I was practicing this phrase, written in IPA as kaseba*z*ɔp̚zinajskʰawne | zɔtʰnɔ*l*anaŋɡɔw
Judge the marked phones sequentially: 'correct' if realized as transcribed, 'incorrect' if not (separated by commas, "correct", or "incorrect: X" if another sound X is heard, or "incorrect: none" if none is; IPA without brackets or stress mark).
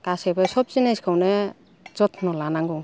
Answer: incorrect: s, correct